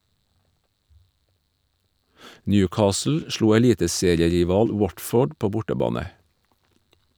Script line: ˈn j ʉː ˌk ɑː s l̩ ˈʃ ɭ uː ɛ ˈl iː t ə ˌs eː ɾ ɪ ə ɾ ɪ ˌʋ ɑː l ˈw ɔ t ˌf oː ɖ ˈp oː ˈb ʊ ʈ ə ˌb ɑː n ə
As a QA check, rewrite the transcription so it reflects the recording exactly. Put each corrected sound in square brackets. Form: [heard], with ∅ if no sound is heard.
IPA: ˈn j ʉː ˌk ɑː s l̩ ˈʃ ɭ uː ɛ ˈl iː t ə ˌs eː ɾ ɪ ə ɾ ɪ ˌʋ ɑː l ˈw ɔ t ˌf oː ɖ ˈp oː ˈb ʊ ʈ ə ˌb ɑː n ə